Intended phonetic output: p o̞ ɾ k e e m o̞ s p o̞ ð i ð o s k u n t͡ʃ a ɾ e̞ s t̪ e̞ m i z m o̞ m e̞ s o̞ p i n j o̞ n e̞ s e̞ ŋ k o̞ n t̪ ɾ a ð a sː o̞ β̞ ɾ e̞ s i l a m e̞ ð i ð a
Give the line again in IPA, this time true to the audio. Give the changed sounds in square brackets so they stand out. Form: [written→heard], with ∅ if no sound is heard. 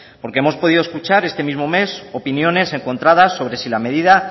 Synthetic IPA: p o̞ ɾ k e e m o̞ s p o̞ ð i ð o s k u [n→∅] t͡ʃ a ɾ e̞ s t̪ e̞ m i z m o̞ m e̞ s o̞ p i n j o̞ n e̞ s e̞ ŋ k o̞ n t̪ ɾ a ð a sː o̞ β̞ ɾ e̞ s i l a m e̞ ð i ð a